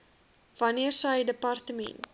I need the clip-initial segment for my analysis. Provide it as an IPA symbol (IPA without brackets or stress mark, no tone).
v